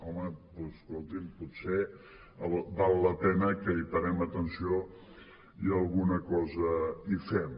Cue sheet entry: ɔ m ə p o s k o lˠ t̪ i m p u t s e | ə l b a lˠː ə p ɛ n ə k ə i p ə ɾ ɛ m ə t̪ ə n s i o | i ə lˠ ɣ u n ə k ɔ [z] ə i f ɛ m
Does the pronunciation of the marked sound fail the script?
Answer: no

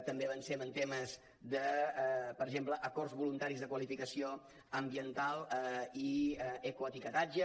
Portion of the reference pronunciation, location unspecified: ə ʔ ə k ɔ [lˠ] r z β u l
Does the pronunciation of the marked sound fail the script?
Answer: yes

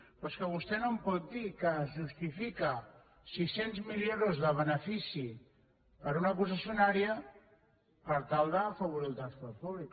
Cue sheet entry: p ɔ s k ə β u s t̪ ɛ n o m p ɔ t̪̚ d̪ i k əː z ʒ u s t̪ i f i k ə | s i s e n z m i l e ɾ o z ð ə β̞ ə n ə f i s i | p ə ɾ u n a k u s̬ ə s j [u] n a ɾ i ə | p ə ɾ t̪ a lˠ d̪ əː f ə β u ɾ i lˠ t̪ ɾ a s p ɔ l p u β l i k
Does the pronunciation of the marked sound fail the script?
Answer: no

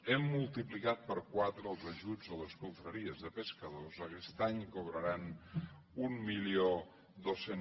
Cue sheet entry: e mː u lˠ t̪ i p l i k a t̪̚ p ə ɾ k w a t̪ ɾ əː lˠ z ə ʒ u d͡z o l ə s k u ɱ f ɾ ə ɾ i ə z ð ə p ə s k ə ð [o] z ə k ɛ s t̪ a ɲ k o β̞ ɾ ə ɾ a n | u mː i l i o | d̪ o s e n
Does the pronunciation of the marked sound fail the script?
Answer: no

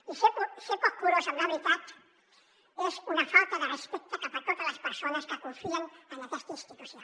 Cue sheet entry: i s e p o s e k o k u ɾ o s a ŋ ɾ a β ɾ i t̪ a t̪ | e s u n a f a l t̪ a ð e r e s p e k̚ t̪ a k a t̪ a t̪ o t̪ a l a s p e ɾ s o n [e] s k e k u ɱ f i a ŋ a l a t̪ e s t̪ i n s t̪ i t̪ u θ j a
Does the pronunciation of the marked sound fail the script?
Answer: yes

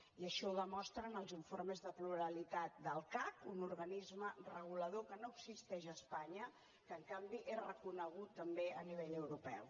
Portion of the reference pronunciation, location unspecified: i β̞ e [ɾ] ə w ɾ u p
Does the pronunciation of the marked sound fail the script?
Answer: yes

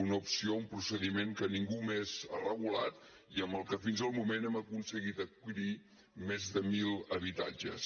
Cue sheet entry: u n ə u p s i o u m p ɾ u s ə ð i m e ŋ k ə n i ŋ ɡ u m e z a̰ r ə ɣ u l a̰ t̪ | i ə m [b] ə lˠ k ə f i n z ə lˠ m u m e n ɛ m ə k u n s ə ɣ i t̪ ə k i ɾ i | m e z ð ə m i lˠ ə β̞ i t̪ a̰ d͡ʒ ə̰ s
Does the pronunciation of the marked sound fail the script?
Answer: no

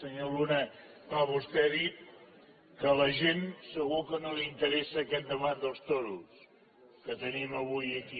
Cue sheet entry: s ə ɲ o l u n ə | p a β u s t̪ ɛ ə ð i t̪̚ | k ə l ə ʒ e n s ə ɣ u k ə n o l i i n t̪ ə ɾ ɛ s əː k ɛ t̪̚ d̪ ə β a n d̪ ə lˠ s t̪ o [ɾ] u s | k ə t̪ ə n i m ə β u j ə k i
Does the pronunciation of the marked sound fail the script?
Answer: no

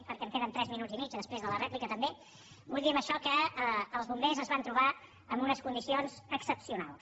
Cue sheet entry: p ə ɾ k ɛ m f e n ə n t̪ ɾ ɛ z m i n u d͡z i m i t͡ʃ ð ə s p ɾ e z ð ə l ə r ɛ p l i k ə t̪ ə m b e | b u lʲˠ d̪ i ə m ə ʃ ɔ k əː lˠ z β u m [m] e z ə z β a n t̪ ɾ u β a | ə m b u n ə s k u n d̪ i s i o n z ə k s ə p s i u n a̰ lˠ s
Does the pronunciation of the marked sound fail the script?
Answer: yes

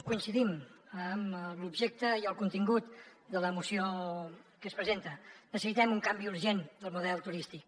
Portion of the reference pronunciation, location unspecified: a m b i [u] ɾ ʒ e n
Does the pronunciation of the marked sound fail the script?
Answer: no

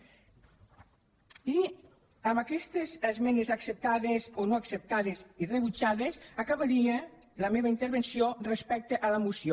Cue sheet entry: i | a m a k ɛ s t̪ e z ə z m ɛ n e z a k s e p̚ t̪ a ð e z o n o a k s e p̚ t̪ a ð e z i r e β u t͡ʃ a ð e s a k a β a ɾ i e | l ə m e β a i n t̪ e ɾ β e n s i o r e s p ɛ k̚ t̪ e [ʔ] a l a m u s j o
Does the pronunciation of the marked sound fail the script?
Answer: no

